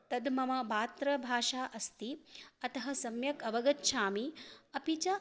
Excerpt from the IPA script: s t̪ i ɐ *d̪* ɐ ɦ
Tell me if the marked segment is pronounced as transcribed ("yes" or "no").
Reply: no